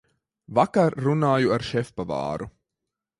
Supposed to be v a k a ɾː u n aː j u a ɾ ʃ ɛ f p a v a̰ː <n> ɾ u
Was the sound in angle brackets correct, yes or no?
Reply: no